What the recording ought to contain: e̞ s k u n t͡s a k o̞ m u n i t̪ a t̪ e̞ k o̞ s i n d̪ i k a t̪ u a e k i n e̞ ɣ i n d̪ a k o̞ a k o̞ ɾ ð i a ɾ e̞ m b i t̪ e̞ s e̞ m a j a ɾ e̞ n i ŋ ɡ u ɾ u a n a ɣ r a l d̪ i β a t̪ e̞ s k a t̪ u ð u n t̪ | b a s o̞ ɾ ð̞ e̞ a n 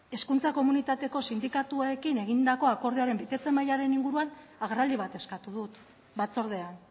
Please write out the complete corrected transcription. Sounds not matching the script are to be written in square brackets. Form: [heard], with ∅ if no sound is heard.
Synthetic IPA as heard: e̞ s k u n t͡s a k o̞ m u n i t̪ a t̪ e̞ k o̞ s i n d̪ i k a t̪ u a e k i n e̞ ɣ i n d̪ a k o̞ a k o̞ ɾ ð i a ɾ e̞ m b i t̪ e̞ [t͡s] e̞ m a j a ɾ e̞ n i ŋ ɡ u ɾ u a n a ɣ r a l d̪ i β a t̪ e̞ s k a t̪ u ð u [∅] t̪ | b a [t͡s] o̞ ɾ ð̞ e̞ a n

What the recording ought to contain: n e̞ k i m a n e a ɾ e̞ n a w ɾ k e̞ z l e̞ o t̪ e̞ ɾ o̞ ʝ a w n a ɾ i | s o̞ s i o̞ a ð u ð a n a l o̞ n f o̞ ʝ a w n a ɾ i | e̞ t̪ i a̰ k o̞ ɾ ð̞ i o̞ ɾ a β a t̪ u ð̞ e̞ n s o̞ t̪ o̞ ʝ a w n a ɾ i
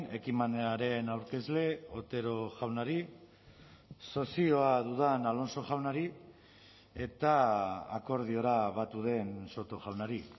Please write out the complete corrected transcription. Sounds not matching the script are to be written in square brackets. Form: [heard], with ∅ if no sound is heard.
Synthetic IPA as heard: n e̞ k i m a n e a ɾ e̞ n a w ɾ k e̞ z l e̞ o t̪ e̞ ɾ o̞ ʝ a w n a ɾ i | s o̞ s i o̞ a ð u ð a n a l o̞ n [s] o̞ ʝ a w n a ɾ i | e̞ t̪ [a] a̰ k o̞ ɾ ð̞ i o̞ ɾ a β a t̪ u ð̞ e̞ n s o̞ t̪ o̞ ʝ a w n a ɾ i

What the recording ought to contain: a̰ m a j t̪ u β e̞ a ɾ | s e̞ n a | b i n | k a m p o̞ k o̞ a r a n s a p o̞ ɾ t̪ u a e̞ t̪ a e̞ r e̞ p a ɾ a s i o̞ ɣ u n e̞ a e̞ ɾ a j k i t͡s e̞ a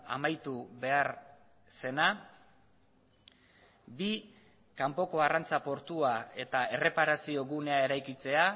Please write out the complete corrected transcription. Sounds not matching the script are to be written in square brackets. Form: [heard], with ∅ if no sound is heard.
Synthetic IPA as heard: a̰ m a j t̪ u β e̞ a ɾ | s e̞ n a | b i [∅] | k a m p o̞ k o̞ a r a n [t͡s] a p o̞ ɾ t̪ u a e̞ t̪ a e̞ r e̞ p a ɾ a s i o̞ ɣ u n e̞ a e̞ ɾ a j k i t͡s e̞ a

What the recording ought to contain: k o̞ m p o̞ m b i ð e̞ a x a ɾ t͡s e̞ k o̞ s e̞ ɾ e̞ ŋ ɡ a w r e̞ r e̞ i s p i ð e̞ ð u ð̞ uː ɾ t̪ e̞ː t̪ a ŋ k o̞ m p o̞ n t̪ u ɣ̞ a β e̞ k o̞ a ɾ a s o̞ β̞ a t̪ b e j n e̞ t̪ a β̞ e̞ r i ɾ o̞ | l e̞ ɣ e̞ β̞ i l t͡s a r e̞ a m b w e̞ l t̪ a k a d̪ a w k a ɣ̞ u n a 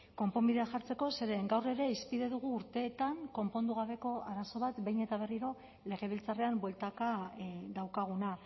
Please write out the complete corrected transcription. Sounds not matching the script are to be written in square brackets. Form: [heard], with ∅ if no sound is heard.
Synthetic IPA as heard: k o̞ m p o̞ m b i ð e̞ a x a ɾ t͡s e̞ k o̞ s e̞ ɾ e̞ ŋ ɡ a w r e̞ [ɾ] e̞ i s p i ð e̞ ð u [ɣ̞] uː ɾ t̪ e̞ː t̪ a ŋ k o̞ m p o̞ n [d̪] u ɣ̞ a β e̞ k o̞ a ɾ a s o̞ β̞ a t̪ b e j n e̞ t̪ a β̞ e̞ r i ɾ o̞ | l e̞ ɣ e̞ β̞ i l t͡s a r e̞ a m b w e̞ l t̪ a k a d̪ a w k a ɣ̞ u n a

